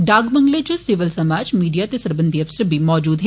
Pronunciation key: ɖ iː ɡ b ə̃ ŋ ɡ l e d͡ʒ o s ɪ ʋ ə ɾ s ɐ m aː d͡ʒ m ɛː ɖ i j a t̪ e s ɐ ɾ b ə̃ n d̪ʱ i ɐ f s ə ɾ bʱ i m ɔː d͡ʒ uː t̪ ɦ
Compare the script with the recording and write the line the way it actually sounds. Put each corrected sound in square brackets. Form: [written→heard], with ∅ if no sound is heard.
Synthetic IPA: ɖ [iː→aː] ɡ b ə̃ ŋ ɡ l e d͡ʒ o s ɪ ʋ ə [ɾ→l] s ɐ m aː d͡ʒ m [ɛː→iː] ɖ i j a t̪ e s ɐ ɾ b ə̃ n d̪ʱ i ɐ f s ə ɾ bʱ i m ɔː d͡ʒ uː [t̪→d̪] ɦ